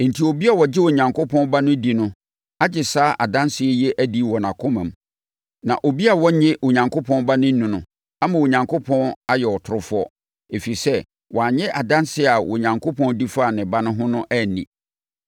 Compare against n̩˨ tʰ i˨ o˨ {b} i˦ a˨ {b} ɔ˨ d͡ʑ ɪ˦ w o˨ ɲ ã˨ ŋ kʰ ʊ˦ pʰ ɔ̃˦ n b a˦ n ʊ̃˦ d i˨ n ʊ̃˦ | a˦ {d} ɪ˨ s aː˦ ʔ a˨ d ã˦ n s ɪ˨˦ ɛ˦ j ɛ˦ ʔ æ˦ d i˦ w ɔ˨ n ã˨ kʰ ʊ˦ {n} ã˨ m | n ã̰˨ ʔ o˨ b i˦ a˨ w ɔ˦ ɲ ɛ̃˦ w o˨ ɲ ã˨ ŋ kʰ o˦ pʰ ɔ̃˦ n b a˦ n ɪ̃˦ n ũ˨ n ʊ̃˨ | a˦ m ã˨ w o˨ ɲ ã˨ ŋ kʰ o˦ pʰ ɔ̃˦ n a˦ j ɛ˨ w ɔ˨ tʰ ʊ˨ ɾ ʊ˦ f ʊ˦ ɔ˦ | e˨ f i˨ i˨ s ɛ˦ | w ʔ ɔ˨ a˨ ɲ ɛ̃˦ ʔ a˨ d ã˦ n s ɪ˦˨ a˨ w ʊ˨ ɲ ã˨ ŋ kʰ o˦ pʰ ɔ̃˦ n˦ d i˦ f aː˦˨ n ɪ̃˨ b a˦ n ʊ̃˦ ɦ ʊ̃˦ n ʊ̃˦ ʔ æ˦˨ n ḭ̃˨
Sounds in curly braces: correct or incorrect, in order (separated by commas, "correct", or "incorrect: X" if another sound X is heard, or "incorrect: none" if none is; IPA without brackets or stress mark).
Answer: correct, incorrect: w, incorrect: d͡ʑ, incorrect: m